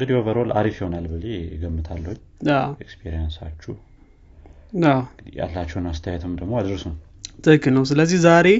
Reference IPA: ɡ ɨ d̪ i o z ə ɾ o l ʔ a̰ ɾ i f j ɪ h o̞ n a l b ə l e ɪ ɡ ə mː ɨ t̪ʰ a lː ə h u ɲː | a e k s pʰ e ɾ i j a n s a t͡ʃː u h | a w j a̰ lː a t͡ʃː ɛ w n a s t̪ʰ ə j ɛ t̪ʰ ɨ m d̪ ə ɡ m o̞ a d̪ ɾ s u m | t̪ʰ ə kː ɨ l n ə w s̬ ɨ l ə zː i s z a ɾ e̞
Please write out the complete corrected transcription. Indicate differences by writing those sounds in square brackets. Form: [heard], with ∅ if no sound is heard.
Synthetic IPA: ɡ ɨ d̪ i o [v] ə ɾ o l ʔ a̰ ɾ i f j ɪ h o̞ n a l b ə l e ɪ ɡ ə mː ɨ t̪ʰ a lː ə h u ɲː | a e k s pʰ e ɾ i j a n s a t͡ʃː u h | a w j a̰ lː a t͡ʃː ɛ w n a s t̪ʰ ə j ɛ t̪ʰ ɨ m d̪ ə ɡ m o̞ a d̪ ɾ s u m | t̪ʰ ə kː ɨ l n ə w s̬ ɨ l ə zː i [h] z a ɾ e̞